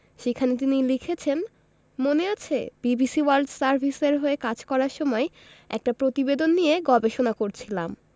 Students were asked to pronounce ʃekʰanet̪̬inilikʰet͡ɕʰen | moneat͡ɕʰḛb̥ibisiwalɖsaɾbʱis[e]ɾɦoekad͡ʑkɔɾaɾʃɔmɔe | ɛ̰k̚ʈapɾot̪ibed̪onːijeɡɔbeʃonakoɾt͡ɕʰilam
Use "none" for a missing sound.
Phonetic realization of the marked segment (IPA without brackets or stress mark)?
e